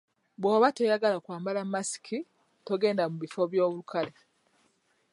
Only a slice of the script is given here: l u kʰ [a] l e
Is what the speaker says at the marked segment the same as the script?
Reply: yes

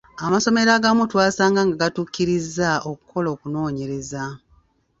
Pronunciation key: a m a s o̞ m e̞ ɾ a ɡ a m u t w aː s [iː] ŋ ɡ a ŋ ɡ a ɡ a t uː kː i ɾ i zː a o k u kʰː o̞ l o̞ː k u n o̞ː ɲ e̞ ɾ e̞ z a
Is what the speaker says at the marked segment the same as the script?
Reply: no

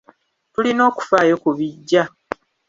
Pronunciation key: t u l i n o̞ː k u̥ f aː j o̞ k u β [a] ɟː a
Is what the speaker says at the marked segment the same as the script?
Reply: no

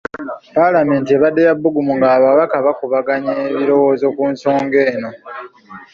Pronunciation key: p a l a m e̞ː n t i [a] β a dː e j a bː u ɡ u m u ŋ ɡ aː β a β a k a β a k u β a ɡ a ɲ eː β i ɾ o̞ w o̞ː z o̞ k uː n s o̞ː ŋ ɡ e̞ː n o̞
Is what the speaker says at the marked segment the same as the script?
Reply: no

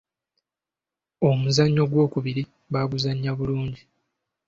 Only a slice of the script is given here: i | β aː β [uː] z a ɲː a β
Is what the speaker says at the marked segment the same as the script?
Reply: no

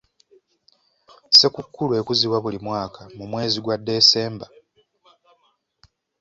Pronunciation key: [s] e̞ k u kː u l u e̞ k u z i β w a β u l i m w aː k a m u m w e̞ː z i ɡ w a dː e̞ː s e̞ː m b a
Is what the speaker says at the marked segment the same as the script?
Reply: yes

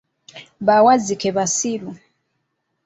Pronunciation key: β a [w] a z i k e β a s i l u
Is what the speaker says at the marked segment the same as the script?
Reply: yes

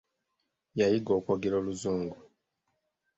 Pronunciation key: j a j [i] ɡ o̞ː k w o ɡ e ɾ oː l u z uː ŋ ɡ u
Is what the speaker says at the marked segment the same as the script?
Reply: yes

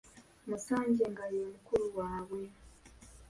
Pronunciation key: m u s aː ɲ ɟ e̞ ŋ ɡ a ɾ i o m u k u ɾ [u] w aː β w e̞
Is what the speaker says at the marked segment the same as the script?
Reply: yes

